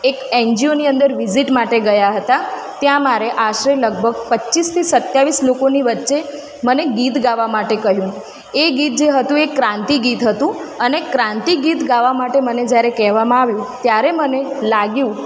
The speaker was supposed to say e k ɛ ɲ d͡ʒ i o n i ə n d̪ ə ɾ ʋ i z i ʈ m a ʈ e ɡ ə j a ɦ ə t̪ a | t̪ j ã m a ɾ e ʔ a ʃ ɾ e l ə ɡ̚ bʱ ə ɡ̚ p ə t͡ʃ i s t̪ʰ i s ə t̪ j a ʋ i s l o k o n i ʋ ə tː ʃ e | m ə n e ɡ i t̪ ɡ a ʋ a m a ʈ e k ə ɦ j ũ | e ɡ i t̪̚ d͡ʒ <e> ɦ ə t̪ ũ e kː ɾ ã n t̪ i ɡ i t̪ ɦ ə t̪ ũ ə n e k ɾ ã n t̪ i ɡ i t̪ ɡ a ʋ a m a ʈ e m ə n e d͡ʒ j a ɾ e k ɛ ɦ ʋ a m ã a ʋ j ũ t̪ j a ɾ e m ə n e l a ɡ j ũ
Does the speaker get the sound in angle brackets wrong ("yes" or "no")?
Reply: no